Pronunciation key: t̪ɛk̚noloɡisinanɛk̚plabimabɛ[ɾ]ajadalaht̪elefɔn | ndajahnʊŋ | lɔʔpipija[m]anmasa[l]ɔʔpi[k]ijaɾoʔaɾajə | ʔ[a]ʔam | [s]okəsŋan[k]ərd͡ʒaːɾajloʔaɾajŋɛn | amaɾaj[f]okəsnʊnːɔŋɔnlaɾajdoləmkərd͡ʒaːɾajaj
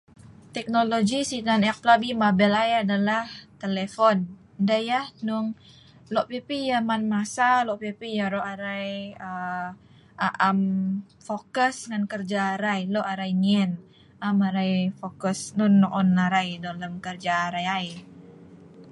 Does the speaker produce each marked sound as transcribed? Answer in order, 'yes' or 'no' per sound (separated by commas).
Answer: no, yes, yes, no, yes, no, yes, yes